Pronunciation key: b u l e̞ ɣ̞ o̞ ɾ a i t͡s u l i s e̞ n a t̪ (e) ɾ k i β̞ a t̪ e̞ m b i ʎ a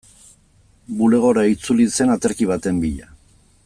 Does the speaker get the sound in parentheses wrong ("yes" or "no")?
no